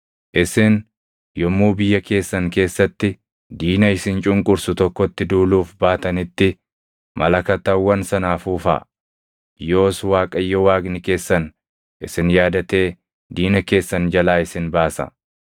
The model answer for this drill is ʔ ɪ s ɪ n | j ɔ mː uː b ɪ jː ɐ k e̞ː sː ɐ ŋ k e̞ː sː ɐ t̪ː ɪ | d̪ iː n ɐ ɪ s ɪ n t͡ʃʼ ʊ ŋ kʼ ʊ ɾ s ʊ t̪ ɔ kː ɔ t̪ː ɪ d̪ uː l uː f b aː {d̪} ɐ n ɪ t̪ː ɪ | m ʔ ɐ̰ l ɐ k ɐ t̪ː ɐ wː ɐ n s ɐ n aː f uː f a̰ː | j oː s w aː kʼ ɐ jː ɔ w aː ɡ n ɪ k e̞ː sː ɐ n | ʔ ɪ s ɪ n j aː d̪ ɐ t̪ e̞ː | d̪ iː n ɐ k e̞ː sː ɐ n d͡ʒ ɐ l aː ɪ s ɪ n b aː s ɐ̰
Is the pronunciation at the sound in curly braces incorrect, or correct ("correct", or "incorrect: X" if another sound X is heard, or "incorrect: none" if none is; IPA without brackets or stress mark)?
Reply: incorrect: t̪